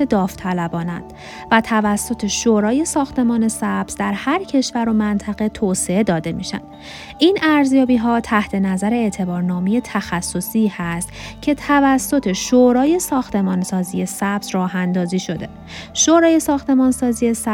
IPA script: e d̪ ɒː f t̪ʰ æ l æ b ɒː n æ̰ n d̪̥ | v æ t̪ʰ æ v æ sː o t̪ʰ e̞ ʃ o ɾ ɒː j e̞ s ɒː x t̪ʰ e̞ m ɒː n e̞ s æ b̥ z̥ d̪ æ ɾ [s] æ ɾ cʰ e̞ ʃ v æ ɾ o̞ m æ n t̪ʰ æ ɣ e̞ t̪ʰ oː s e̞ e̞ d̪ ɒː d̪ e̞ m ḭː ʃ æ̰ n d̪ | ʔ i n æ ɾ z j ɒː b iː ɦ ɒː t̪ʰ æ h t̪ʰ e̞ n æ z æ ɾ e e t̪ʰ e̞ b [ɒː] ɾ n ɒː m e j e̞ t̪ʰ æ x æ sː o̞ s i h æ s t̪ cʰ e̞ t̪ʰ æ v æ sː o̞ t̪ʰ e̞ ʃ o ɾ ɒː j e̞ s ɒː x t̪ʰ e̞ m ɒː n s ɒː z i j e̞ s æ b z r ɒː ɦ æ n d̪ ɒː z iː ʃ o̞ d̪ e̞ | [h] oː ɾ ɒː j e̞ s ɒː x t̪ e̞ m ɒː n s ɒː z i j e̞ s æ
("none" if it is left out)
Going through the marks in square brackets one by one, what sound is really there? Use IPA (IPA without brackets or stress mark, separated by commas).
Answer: h, ɒː, ʃ